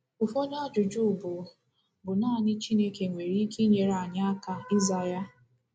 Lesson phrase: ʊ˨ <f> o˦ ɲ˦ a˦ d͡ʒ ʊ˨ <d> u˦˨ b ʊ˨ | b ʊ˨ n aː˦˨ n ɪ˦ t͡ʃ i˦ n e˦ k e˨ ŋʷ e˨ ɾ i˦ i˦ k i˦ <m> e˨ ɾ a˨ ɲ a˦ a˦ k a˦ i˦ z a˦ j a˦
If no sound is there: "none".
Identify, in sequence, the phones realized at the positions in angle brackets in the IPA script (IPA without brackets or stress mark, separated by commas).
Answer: f, d͡ʒ, ɲ